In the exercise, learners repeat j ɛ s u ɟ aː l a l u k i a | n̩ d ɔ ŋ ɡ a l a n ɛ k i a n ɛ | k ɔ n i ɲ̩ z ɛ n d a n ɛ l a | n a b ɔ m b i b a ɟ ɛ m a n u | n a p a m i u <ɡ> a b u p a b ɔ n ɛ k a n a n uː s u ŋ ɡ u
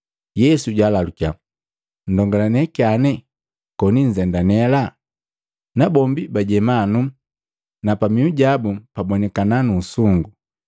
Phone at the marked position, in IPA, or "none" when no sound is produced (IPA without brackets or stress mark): ɟ